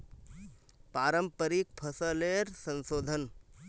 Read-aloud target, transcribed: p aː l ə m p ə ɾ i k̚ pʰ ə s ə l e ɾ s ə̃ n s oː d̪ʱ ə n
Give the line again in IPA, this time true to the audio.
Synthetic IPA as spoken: p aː ɾ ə m p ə ɾ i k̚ pʰ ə s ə l e ɾ s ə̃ n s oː d̪ʱ ə n